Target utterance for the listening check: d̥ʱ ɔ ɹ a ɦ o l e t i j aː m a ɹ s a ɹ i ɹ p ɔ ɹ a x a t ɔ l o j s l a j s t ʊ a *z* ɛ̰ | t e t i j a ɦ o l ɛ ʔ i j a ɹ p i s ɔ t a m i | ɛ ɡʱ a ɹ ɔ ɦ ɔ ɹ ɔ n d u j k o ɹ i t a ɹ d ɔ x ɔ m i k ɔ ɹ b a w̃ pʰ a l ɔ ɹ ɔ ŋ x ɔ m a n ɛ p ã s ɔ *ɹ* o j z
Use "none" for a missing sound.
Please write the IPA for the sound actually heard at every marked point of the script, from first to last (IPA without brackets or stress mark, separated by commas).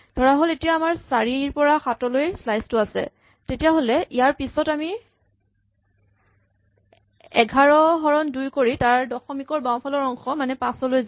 s, l